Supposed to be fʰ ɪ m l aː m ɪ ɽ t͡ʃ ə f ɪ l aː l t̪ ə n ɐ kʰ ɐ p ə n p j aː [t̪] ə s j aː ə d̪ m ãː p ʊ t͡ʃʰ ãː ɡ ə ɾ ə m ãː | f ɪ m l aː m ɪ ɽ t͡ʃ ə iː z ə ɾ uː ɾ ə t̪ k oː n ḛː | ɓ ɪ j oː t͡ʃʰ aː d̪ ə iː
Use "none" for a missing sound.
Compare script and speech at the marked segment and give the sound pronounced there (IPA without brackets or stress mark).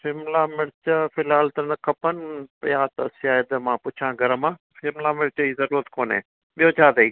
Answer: t̪